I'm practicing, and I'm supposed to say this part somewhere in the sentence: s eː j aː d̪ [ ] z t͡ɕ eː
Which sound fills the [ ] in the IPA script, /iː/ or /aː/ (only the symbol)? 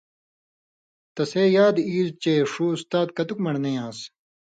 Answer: iː